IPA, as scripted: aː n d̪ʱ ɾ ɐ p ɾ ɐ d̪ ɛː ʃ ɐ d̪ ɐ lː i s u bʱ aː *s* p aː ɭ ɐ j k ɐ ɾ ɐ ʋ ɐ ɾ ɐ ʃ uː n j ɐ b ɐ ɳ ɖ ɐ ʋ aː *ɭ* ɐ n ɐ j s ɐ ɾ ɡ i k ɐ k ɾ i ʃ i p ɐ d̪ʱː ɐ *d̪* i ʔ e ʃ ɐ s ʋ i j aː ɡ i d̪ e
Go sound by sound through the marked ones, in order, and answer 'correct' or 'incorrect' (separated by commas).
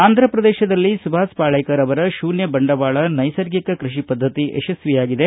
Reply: correct, correct, incorrect